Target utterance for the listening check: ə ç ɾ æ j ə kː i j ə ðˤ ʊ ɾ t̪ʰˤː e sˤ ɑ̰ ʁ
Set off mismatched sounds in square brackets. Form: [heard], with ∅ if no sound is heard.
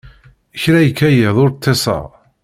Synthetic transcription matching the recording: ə ç ɾ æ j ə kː [æ] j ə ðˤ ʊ ɾ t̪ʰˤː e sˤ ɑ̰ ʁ